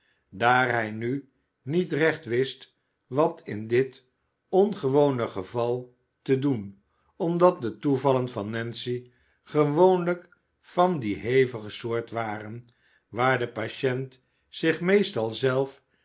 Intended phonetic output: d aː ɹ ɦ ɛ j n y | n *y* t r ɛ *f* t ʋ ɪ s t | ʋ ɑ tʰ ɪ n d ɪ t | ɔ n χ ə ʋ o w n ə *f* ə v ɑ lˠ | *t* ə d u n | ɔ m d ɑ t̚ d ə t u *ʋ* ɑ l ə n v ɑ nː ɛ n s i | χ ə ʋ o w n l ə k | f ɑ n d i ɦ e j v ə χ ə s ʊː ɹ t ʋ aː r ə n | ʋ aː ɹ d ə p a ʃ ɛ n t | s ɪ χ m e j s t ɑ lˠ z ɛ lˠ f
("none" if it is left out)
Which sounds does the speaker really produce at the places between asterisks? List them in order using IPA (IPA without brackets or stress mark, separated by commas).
i, χ, χ, t, v